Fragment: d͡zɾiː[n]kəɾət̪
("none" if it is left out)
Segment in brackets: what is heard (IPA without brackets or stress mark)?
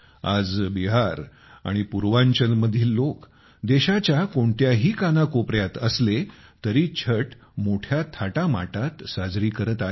none